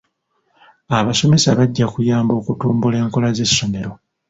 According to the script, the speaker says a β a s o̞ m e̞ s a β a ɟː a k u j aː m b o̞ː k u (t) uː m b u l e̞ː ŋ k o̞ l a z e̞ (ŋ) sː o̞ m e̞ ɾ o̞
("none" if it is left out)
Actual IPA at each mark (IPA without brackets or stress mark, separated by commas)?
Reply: t, none